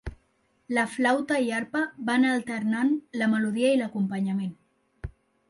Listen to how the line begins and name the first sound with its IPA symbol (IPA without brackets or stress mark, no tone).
l